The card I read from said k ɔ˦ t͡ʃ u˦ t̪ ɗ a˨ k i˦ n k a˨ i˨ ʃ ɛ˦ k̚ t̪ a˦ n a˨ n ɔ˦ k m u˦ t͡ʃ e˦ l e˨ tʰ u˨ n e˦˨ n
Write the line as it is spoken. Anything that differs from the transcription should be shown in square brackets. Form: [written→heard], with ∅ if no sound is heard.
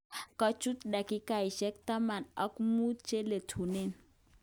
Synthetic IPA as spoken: k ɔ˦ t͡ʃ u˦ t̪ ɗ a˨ k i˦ [n→∅] k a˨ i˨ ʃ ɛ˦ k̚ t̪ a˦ [n→m] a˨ n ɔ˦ k m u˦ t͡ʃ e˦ l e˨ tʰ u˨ n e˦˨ n